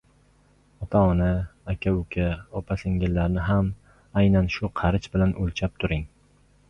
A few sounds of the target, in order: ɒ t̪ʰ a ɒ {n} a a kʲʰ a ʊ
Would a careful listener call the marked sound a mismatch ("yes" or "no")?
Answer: no